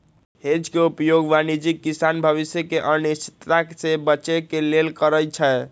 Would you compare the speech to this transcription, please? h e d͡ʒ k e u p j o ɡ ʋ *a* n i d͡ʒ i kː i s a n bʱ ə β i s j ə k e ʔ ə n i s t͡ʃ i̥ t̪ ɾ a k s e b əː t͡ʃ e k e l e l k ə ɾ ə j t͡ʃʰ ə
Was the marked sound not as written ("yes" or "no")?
no